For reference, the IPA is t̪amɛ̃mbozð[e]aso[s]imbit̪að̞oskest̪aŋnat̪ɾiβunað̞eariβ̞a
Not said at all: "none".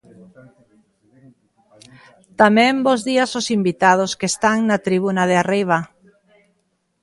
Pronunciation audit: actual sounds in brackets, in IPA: i, s

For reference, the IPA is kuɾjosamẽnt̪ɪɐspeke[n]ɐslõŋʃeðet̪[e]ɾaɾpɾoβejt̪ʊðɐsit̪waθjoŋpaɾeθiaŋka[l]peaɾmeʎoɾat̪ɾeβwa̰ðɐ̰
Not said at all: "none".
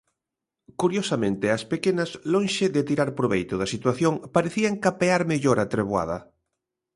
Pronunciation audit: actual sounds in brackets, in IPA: n, i, none

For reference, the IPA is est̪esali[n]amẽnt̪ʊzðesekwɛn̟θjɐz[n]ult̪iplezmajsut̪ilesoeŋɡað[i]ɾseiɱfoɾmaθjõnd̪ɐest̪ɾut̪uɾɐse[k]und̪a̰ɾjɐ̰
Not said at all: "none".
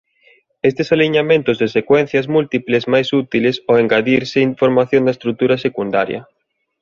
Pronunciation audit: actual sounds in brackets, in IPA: ɲ, m, i, k

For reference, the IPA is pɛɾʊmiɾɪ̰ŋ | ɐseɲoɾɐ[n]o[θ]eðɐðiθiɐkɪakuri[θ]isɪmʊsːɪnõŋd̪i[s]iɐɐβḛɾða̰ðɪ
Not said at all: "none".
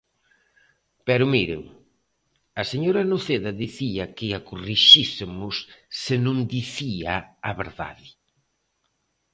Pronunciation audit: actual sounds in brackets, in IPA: n, θ, ʃ, θ

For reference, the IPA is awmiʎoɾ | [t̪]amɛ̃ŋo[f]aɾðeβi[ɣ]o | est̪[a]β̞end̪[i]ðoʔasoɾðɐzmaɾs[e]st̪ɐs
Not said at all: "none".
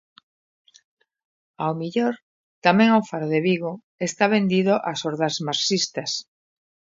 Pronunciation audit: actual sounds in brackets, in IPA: t̪, f, ɣ, a, i, i

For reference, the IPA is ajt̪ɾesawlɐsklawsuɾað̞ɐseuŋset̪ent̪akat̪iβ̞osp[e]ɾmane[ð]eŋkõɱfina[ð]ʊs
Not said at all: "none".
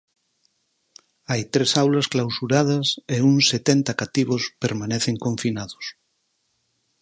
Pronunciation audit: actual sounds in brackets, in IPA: e, θ, ð

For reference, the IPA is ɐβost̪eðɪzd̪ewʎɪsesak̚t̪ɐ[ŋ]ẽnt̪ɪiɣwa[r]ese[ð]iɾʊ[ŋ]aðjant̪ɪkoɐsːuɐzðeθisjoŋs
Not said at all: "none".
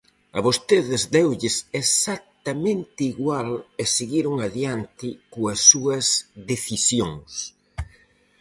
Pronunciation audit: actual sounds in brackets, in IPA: m, l, ɣ, ŋ

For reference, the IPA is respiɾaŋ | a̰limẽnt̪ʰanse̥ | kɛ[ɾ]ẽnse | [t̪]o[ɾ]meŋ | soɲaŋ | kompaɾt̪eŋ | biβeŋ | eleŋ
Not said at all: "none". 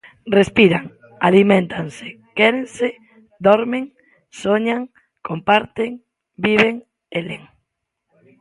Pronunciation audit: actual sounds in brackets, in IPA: ɾ, d̪, ɾ

